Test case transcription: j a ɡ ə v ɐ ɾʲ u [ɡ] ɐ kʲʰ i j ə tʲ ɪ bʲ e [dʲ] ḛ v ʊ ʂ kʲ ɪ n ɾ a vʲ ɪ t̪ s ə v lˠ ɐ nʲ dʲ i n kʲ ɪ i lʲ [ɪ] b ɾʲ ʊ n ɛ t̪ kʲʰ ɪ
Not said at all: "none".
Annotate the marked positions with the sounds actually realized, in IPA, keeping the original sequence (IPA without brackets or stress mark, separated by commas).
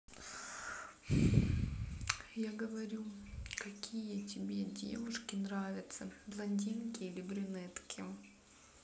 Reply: k, dʲ, ɪ